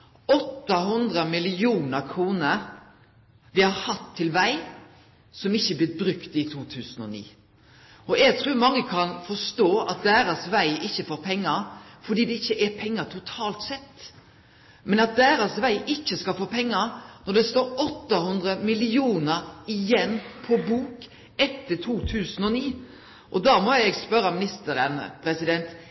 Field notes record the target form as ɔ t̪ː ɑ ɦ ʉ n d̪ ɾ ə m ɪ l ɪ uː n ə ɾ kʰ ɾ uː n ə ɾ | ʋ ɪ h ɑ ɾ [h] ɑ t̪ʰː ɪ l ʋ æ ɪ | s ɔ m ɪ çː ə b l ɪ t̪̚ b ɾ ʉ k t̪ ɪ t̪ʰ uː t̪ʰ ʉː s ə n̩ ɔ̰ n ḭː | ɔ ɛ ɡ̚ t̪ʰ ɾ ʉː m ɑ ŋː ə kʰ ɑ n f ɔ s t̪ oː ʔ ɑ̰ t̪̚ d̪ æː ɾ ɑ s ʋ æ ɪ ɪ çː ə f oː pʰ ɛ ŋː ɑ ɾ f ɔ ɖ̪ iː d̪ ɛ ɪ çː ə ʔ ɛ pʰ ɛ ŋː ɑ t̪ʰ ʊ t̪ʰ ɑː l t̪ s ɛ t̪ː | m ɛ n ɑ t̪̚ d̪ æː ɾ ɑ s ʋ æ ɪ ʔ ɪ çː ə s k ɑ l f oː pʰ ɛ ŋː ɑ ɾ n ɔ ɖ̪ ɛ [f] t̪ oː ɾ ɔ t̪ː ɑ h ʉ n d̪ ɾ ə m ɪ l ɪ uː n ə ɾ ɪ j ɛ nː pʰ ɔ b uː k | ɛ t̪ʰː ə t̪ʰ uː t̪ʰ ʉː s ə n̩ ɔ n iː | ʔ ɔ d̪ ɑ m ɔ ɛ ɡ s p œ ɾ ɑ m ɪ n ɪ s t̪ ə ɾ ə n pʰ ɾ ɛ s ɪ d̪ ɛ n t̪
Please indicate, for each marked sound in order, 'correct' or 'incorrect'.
correct, incorrect: s

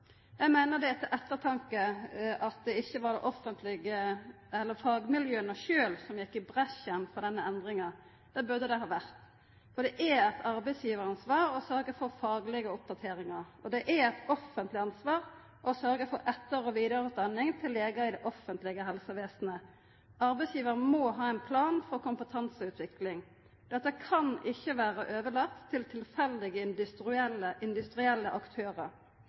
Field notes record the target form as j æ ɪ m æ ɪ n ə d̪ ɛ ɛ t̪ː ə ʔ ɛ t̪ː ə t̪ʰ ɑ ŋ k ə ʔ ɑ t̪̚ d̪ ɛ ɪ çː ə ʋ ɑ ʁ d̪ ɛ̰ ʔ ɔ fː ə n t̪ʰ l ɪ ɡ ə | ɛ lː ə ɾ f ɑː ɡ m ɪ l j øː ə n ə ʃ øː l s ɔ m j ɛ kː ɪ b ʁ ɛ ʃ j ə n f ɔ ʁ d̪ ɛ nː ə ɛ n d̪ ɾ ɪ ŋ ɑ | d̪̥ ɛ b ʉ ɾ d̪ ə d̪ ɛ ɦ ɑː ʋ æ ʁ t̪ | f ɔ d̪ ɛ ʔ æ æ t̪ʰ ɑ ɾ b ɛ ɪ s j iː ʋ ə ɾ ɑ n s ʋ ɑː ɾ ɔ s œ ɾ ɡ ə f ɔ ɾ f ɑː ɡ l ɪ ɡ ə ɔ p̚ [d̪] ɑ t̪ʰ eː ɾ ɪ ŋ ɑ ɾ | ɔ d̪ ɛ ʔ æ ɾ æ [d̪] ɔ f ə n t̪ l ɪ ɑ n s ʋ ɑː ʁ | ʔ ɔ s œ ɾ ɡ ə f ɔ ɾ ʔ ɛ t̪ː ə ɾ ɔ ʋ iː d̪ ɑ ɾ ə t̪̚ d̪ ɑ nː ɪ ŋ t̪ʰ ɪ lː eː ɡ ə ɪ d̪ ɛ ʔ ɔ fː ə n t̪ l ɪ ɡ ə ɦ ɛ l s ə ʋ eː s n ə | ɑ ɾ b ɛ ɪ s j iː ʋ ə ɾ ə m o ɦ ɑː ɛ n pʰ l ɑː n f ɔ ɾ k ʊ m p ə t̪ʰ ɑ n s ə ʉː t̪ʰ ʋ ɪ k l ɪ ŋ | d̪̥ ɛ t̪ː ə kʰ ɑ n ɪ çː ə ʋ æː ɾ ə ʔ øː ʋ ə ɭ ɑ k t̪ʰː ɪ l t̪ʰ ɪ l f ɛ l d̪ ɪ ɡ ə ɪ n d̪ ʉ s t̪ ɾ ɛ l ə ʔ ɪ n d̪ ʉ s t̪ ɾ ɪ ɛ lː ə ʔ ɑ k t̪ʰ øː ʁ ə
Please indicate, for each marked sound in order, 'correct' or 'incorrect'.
correct, incorrect: t̪

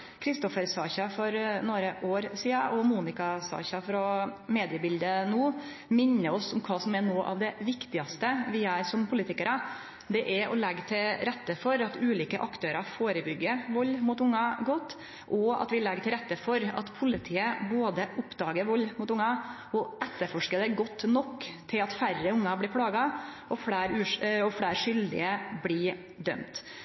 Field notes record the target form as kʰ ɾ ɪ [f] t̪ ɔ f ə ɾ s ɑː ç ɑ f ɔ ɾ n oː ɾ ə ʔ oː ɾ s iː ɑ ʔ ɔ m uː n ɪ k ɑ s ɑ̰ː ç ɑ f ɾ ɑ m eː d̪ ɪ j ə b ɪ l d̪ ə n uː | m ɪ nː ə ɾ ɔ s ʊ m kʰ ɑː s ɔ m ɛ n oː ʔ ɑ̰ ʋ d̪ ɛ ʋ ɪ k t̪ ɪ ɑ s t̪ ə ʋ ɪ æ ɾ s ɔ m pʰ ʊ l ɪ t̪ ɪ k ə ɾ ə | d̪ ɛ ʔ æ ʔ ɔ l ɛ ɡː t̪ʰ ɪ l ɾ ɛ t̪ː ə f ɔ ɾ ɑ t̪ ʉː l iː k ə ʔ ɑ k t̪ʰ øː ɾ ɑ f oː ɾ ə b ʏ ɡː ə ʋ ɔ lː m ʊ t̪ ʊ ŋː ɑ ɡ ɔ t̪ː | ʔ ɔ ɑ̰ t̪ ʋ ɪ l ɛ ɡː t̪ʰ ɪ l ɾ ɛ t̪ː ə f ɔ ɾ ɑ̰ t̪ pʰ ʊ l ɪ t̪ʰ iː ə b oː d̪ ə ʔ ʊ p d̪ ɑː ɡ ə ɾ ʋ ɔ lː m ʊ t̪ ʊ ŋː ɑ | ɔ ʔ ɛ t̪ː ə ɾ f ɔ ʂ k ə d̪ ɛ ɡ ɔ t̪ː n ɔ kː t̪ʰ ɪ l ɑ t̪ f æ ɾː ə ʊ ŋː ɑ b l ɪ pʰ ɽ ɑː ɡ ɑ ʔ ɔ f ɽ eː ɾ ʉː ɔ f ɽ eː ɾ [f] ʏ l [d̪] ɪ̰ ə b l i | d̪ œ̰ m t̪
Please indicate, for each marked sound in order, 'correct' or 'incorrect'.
incorrect: s, incorrect: ʂ, correct

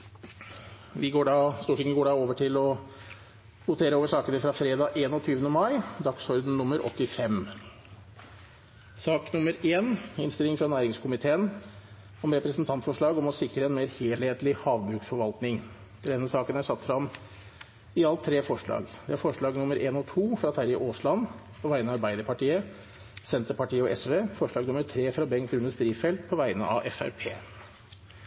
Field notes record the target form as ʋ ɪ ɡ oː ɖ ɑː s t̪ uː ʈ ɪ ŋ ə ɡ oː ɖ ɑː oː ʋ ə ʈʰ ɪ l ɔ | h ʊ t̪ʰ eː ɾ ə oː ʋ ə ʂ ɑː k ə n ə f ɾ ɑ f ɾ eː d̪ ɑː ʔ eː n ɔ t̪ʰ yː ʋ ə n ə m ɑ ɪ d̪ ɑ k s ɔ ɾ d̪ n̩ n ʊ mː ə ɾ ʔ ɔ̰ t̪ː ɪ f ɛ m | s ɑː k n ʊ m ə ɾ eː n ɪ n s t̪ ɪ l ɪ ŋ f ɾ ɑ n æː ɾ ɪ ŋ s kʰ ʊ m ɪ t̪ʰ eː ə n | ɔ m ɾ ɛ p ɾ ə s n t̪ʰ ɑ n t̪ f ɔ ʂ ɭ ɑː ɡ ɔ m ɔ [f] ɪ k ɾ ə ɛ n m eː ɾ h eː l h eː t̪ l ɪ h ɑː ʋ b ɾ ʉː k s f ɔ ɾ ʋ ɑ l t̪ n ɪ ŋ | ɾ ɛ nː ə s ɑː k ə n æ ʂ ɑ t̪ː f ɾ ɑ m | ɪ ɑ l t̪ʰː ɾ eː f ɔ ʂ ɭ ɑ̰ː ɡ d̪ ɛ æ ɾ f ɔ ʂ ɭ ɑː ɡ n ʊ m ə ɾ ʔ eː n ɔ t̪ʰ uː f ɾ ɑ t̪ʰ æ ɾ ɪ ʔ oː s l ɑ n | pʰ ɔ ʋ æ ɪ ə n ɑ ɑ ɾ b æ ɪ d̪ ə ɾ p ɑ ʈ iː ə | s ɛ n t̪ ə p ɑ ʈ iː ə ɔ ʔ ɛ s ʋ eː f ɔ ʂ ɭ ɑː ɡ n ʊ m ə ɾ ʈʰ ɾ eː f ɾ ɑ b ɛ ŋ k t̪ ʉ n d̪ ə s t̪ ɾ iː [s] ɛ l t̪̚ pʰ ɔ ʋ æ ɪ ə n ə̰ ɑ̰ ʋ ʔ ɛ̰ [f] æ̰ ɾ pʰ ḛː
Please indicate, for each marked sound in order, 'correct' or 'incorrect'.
incorrect: s, incorrect: f, correct

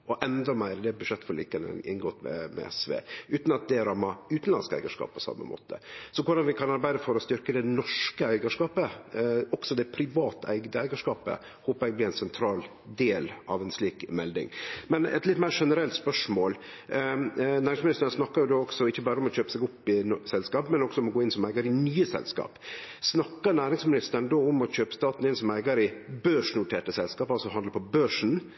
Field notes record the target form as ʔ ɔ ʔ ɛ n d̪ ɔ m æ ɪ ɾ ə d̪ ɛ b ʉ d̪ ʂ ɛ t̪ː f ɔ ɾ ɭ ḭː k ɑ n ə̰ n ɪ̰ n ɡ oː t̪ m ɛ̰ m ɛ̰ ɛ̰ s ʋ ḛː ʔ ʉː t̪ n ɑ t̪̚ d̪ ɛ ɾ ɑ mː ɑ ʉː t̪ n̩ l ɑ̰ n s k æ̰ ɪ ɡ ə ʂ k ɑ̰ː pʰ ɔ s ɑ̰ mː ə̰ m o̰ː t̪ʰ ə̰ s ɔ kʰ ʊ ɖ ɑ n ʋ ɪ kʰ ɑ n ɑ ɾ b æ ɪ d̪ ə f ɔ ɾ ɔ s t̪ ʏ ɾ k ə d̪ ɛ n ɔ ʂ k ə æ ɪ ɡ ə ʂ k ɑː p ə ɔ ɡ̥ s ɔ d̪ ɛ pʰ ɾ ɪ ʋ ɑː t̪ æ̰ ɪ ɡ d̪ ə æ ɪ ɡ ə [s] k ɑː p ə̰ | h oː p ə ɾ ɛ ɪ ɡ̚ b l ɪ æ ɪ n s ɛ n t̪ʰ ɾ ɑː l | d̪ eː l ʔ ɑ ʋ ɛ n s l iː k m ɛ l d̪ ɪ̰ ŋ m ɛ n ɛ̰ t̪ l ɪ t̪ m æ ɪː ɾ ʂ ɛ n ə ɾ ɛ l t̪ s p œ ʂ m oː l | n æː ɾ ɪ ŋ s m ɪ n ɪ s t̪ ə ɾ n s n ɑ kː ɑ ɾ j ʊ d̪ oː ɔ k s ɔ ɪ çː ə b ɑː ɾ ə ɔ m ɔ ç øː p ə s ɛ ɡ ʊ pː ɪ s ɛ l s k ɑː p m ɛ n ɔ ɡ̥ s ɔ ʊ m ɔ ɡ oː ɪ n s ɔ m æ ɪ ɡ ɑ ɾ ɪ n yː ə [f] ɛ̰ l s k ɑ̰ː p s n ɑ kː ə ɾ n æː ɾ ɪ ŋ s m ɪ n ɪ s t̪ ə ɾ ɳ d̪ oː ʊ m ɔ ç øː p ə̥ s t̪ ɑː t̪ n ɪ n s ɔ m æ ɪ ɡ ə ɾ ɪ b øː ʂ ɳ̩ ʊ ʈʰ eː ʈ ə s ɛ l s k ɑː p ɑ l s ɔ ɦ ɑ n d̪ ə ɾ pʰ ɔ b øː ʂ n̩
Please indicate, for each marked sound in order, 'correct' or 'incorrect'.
incorrect: ʂ, incorrect: s

